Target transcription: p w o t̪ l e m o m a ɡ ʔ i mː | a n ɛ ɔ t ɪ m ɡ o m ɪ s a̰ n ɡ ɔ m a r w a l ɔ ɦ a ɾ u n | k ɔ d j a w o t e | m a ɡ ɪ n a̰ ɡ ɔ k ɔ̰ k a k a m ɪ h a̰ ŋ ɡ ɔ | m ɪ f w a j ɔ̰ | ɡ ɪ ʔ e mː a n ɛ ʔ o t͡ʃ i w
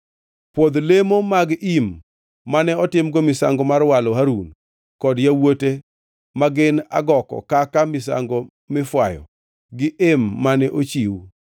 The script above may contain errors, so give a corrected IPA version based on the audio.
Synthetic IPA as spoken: p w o d̪ l e m o m a ɡ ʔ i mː | a n ɛ ɔ t ɪ m ɡ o m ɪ s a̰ ŋ ɡ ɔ m a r w a l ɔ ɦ a ɾ u n | k ɔ d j a w o t e | m a ɡ ɪ n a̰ ɡ ɔ k ɔ̰ k a k a m ɪ s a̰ ŋ ɡ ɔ | m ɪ f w a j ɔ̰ | ɡ ɪ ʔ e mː a n ɛ ʔ o t͡ʃ i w

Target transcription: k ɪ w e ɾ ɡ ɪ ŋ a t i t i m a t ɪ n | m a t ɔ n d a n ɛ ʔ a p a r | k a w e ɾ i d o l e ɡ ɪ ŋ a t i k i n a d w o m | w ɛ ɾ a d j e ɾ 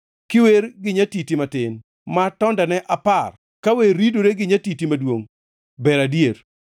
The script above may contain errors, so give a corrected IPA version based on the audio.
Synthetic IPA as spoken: k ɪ w e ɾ ɡ ɪ ɲ a t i t i m a t ɪ n | m a t ɔ n d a n ɛ ʔ a p a r | k a w e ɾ i d o ɾ e ɡ ɪ ɲ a t i t i m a d w o ŋ | b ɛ ɾ a d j e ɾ

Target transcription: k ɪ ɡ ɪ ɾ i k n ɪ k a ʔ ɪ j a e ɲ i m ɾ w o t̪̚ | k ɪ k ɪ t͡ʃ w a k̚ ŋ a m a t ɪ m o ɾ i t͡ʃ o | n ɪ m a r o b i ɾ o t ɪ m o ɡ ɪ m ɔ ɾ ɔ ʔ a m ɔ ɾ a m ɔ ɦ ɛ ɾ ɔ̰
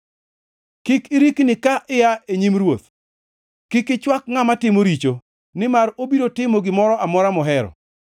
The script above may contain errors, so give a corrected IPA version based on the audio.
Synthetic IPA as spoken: k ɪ k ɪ ɾ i k n ɪ k a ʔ ɪ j a e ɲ i m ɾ w o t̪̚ | k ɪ k ɪ t͡ʃ w a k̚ ŋ a m a t ɪ m o ɾ i t͡ʃ o | n ɪ m a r o b i ɾ o t ɪ m o ɡ ɪ m ɔ ɾ ɔ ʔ a m ɔ ɾ a m ɔ ɦ ɛ ɾ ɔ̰

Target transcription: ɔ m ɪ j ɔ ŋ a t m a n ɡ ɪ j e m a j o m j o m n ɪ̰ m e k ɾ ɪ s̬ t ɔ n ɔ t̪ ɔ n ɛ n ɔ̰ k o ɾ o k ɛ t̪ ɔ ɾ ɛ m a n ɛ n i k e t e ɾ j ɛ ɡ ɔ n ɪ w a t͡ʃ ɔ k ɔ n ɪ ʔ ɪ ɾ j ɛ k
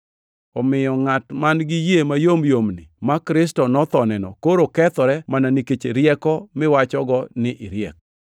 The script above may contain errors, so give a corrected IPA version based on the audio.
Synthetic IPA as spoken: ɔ m ɪ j ɔ ŋ a t m a n ɡ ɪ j e m a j o m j o m n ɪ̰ m a k ɾ ɪ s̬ t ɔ n ɔ t̪ ɔ n ɛ n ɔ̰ k o ɾ o k ɛ t̪ ɔ ɾ ɛ m a n a n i k e t͡ʃ e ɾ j ɛ k ɔ m ɪ w a t͡ʃ ɔ ɡ ɔ n ɪ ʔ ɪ ɾ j ɛ k

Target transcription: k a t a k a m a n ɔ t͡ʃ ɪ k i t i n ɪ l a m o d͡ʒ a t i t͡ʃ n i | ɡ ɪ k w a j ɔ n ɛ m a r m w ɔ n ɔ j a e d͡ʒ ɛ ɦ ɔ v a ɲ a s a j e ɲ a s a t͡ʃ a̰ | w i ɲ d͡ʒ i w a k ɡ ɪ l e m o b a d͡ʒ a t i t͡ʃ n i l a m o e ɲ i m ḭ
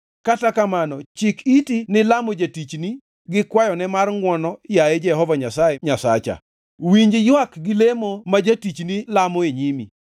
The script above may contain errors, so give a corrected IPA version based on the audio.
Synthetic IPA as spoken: k a t a k a m a n ɔ t͡ʃ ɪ k i t i n ɪ l a m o d͡ʒ a t i t͡ʃ n i | ɡ ɪ k w a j ɔ n ɛ m a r ŋ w ɔ n ɔ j a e d͡ʒ ɛ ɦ ɔ v a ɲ a s a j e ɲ a s a t͡ʃ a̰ | w i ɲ d͡ʒ j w a k ɡ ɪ l e m o m a d͡ʒ a t i t͡ʃ n i l a m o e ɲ i m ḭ

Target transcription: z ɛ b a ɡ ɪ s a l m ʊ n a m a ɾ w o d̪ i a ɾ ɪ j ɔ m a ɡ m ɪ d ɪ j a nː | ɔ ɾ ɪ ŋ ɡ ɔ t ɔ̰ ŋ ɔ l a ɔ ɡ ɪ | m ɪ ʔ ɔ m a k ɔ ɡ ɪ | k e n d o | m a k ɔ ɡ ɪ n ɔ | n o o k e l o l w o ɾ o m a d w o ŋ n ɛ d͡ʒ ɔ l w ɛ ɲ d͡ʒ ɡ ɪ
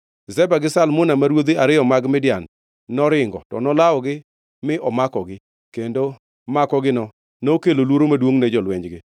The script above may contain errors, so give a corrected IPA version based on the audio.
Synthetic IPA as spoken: z ɛ b a ɡ ɪ s a l m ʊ n a m a ɾ w o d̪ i a ɾ ɪ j ɔ m a ɡ m ɪ d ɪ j a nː | ɔ ɾ ɪ ŋ ɡ ɔ t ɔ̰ n ɔ l a ɔ ɡ ɪ | m ɪ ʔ ɔ m a k ɔ ɡ ɪ | k e n d o | m a k ɔ ɡ ɪ n ɔ | n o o k e l o l w o ɾ o m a d w o ŋ n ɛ d͡ʒ ɔ l w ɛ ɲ d͡ʒ ɡ ɪ

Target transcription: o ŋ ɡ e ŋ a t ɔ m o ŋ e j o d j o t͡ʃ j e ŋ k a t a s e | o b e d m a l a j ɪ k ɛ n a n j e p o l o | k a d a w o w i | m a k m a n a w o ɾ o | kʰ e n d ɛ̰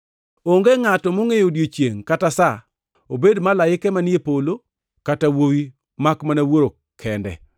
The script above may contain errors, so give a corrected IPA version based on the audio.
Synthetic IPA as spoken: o ŋ ɡ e ŋ a t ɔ m o ŋ e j o d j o t͡ʃ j e ŋ k a t a s a | o b e d m a l a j ɪ k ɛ m a n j e p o l o | k a t a w o w i | m a k m a n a w o ɾ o | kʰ ɛ n d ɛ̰

